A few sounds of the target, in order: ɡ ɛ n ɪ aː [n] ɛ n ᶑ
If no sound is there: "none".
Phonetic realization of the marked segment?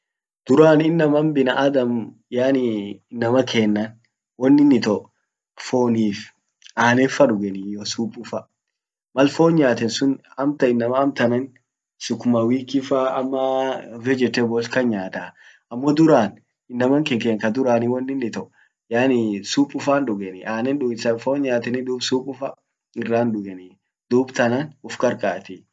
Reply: n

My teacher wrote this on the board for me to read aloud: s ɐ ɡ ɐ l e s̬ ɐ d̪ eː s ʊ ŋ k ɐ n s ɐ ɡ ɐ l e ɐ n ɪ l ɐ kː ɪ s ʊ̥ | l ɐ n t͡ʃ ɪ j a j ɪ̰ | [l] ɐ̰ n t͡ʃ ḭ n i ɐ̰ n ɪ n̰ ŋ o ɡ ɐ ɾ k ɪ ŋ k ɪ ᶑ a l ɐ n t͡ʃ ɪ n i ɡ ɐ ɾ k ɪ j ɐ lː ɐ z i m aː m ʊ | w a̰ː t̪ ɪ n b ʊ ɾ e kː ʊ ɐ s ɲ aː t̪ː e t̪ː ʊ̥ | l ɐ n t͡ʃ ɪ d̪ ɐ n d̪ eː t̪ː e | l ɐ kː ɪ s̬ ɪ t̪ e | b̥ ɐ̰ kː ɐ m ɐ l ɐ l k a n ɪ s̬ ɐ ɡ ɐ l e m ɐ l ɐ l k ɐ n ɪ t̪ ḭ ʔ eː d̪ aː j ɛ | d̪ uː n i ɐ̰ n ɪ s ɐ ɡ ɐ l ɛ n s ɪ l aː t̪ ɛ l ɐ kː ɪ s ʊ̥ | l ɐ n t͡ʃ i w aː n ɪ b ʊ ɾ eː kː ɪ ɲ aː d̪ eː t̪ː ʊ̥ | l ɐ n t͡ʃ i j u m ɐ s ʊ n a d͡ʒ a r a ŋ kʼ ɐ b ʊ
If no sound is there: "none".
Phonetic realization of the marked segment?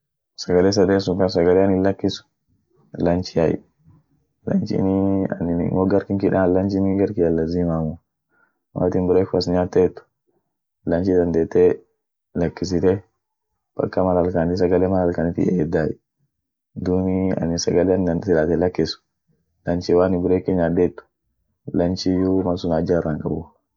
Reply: l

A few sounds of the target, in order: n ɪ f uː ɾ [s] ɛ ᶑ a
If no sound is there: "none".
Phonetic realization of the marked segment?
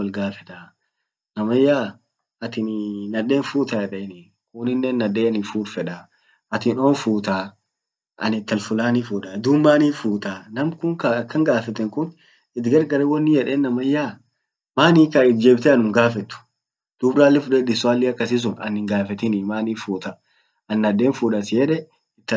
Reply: f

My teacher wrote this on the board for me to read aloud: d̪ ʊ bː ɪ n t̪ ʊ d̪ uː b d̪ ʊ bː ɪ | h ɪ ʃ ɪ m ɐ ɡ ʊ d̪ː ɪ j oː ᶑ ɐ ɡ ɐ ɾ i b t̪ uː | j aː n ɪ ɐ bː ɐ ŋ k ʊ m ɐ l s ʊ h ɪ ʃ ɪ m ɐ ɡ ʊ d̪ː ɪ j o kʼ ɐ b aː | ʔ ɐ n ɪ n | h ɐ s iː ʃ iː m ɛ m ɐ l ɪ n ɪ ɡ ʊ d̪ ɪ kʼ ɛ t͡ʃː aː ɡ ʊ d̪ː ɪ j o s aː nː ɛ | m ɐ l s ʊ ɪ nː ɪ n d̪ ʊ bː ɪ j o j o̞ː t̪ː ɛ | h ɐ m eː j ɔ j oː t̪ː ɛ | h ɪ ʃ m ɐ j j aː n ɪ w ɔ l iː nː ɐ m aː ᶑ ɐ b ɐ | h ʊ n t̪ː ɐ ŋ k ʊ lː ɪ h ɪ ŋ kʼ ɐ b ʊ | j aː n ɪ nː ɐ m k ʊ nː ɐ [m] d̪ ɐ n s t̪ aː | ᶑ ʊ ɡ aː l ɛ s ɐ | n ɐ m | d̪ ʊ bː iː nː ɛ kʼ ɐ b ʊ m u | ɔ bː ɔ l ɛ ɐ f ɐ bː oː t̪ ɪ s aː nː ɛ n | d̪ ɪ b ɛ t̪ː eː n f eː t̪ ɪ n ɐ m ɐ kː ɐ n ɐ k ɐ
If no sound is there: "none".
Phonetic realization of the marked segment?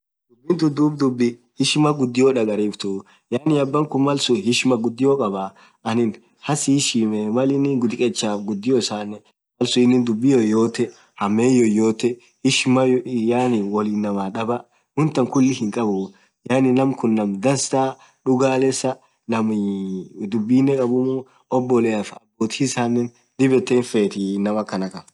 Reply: m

